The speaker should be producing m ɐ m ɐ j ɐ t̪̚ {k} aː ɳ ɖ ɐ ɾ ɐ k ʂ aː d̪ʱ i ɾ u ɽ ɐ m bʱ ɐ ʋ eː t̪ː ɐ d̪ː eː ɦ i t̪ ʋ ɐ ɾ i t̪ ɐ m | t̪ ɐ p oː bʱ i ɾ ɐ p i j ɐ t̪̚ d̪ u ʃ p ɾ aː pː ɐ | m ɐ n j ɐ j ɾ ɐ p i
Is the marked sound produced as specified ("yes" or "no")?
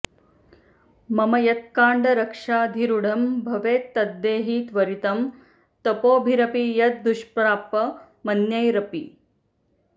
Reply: yes